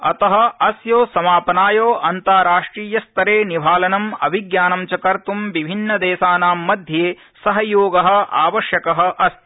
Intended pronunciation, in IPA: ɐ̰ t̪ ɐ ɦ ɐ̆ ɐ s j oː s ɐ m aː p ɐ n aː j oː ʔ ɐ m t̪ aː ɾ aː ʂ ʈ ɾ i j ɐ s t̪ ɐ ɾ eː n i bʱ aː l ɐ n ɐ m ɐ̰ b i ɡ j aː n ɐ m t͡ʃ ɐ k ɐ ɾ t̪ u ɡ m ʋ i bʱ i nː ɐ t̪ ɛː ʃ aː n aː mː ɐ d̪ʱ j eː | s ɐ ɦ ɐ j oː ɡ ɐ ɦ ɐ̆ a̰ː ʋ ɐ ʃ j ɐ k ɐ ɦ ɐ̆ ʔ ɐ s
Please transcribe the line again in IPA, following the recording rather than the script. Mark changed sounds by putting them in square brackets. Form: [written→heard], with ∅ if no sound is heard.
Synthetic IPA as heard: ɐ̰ t̪ ɐ ɦ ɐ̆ ɐ s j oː s ɐ m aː p ɐ n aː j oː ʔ ɐ [m→n] t̪ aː ɾ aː ʂ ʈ ɾ [i→iː] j ɐ s t̪ ɐ ɾ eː n i bʱ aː l ɐ n ɐ m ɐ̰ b i ɡ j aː n ɐ m t͡ʃ ɐ k ɐ ɾ t̪ u [ɡ→∅] m ʋ i bʱ i nː ɐ [t̪→d̪] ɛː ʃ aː n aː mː ɐ d̪ʱ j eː | s ɐ ɦ ɐ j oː ɡ ɐ ɦ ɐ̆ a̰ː ʋ ɐ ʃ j ɐ k ɐ ɦ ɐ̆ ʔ ɐ s